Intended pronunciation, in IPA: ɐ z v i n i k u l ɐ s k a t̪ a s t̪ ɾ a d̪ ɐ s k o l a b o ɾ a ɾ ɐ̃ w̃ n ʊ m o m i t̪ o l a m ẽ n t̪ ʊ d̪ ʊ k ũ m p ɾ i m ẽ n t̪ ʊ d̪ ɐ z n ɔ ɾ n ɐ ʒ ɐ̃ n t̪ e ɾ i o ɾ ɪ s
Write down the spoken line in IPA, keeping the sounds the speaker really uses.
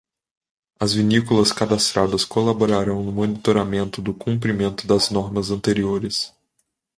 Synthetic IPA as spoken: ɐ z v i n i k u l ɐ s k a d̪ a s t̪ ɾ a d̪ ɐ s k o l a b o ɾ a ɾ ɐ̃ w̃ n ʊ m o n i t̪ o ɾ a m ẽ n t̪ ʊ d̪ ʊ k ũ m p ɾ i m ẽ n t̪ ʊ d̪ ɐ z n ɔ ɾ m ɐ z ɐ̃ n t̪ e ɾ i o ɾ ɪ s

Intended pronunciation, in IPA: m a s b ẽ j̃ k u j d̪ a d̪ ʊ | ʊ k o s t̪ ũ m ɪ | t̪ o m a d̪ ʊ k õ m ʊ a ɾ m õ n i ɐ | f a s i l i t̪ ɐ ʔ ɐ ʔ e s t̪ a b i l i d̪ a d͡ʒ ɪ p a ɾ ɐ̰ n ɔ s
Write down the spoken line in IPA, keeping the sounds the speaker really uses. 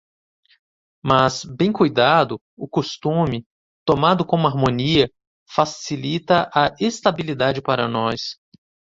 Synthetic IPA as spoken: m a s b ẽ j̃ k u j d̪ a d̪ ʊ | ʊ k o s t̪ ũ m ɪ | t̪ o m a d̪ ʊ k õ m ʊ a ɾ m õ n i ɐ | f a s i l i t̪ ɐ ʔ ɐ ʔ e s t̪ a b i l i d̪ a d͡ʒ ɪ p a ɾ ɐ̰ n ɔ s

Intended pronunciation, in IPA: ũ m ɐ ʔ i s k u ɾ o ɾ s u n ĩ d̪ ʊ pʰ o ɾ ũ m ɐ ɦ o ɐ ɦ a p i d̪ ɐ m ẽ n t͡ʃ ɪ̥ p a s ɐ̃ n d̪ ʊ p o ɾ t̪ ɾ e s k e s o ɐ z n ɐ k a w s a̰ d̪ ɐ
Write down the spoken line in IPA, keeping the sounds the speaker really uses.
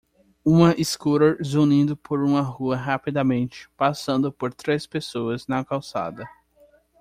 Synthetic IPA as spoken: ũ m ɐ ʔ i s k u ɾ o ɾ z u n ĩ d̪ ʊ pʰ o ɾ ũ m ɐ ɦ u ɐ ɦ a p i d̪ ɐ m ẽ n t͡ʃ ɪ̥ p a s ɐ̃ n d̪ ʊ p o ɾ t̪ ɾ e s p e s o ɐ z n ɐ k a w s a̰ d̪ ɐ

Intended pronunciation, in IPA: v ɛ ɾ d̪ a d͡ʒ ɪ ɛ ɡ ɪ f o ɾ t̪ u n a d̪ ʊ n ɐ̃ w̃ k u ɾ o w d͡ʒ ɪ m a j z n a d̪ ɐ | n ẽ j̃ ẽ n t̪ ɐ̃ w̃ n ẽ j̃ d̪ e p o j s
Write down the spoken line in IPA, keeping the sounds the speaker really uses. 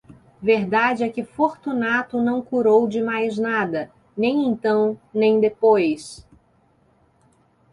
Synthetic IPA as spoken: v e ɾ d̪ a d͡ʒ ɪ ɛ k ɪ f o ɾ t̪ u n a t̪ ʊ n ɐ̃ w̃ k u ɾ o w d͡ʒ ɪ m a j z n a d̪ ɐ | n ẽ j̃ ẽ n t̪ ɐ̃ w̃ n ẽ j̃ d̪ e p o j s

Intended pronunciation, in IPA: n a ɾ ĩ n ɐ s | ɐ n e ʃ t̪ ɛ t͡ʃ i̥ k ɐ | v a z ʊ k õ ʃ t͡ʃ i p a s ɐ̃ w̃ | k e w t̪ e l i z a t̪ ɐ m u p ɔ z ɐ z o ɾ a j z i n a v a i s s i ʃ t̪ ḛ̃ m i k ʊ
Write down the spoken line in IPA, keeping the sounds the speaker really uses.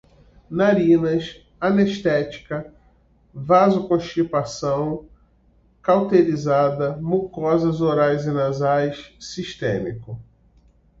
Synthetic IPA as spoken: n a ɾ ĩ n ɐ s | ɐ n e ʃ t̪ ɛ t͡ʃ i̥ k ɐ | v a z ʊ k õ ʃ t͡ʃ i p a s ɐ̃ w̃ | k a w t̪ e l i z a d̪ ɐ m u k ɔ z ɐ z o ɾ a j z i n a z a j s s i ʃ t̪ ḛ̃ m i k ʊ

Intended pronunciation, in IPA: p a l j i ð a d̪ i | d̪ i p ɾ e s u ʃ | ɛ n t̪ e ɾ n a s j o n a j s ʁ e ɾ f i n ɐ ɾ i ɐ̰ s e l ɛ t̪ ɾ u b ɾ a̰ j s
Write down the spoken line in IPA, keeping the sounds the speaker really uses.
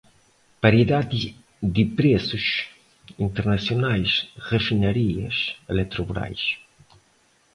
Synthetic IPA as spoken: p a ɾ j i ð a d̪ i | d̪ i p ɾ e s u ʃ | i n t̪ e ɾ n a s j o n a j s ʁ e f i n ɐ ɾ i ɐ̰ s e l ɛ t̪ ɾ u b ɾ a̰ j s

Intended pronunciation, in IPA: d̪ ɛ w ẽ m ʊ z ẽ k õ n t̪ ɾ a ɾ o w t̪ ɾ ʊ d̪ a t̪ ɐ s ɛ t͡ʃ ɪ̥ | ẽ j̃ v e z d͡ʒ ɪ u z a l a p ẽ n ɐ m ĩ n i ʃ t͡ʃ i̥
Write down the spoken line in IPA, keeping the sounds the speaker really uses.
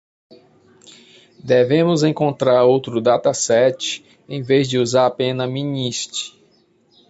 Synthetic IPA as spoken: d̪ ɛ v ẽ m ʊ z ẽ k õ n t̪ ɾ a ɾ o w t̪ ɾ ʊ d̪ a t̪ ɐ s ɛ t͡ʃ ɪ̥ | ẽ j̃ v e z d͡ʒ ɪ u z a ɾ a p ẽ n ɐ m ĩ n i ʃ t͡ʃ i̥

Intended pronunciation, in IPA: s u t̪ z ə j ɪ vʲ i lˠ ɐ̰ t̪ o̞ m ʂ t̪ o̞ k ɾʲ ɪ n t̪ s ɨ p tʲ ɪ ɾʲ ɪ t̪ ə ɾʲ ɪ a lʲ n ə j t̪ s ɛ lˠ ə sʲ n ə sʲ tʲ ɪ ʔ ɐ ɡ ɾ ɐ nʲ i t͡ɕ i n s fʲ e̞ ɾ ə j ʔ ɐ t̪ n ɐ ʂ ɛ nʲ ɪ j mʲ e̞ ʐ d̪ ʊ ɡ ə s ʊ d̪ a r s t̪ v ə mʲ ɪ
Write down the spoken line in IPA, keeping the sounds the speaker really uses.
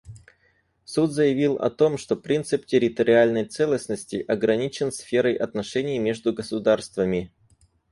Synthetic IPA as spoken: s u t̪ z ə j ɪ vʲ i lˠ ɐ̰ t̪ o̞ m ʂ t̪ o̞ p ɾʲ i n t̪ s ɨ p tʲ ɪ ɾʲ ɪ t̪ ə ɾʲ ɪ a lʲ n ə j t̪ s ɛ lˠ ə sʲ n ə sʲ tʲ ɪ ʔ ɐ ɡ ɾ ɐ nʲ i t͡ɕ ɪ n s fʲ e̞ ɾ ə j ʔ ɐ t̪ n ɐ ʂ ɛ nʲ ɪ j mʲ e̞ ʐ d̪ ʊ ɡ ə s ʊ d̪ a r s t̪ v ə mʲ ɪ

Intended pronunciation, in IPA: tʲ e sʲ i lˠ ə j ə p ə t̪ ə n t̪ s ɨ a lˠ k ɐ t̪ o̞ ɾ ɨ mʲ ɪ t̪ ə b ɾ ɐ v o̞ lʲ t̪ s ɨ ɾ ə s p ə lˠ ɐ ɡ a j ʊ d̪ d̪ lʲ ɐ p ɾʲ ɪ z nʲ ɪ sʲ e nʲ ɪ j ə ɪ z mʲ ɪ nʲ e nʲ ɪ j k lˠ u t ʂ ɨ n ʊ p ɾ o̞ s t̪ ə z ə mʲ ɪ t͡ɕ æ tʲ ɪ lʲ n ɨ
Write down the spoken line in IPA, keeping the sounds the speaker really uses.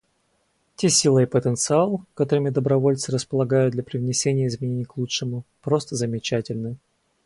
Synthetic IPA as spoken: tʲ e sʲ i lˠ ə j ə p ə t̪ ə n t̪ s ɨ a lˠ k ɐ t̪ o̞ ɾ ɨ mʲ ɪ d̪ ə b ɾ ɐ v o̞ lʲ t̪ s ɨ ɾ ə s p ə lˠ ɐ ɡ a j ʊ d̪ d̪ lʲ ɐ p ɾʲ ɪ v nʲ ɪ sʲ e nʲ ɪ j ə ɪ z mʲ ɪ nʲ e nʲ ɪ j k lˠ u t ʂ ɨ m ʊ p ɾ o̞ s t̪ ə z ə mʲ ɪ t͡ɕ æ tʲ ɪ lʲ n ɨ

